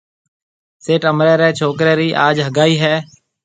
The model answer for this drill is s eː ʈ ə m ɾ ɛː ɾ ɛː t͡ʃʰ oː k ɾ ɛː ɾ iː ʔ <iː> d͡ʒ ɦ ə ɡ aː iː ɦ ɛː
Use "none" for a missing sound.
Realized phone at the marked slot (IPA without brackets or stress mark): aː